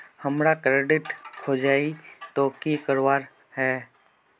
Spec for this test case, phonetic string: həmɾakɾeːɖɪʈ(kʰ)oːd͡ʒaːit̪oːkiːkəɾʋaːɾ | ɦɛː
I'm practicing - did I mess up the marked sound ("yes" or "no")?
no